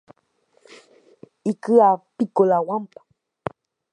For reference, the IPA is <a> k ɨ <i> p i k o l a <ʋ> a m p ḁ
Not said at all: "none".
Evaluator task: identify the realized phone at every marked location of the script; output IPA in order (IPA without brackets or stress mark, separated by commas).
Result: i, a, w